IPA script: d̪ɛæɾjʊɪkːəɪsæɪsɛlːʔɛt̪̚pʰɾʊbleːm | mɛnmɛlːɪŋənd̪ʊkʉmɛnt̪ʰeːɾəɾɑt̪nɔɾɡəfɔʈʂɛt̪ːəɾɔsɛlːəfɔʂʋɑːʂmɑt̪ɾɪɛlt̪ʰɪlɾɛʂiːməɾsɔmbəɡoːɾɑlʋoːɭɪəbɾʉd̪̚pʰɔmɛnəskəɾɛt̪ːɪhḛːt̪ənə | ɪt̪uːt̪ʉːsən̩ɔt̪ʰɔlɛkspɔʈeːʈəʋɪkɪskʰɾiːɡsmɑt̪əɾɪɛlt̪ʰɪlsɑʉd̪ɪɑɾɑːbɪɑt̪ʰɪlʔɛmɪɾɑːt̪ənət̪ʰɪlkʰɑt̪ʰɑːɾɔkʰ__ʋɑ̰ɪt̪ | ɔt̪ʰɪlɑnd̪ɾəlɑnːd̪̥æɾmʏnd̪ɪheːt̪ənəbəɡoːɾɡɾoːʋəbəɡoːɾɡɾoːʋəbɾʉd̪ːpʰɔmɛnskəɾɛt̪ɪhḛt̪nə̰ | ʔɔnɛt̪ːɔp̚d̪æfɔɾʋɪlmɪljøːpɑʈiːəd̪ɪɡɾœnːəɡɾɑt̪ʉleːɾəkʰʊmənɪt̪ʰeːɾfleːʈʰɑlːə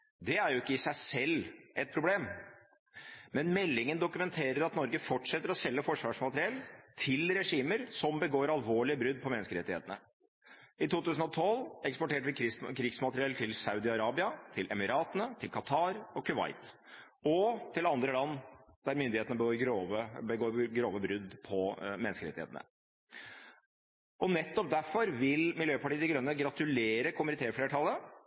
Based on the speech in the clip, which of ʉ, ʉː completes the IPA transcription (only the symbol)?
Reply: ʉ